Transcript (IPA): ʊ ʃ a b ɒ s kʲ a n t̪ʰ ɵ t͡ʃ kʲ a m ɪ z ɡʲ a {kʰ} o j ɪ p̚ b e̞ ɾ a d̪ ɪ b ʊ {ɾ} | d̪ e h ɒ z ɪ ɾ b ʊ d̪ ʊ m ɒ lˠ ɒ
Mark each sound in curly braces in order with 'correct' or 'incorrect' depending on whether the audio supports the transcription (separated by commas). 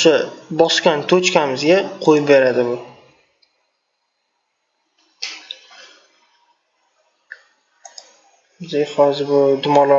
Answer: incorrect, incorrect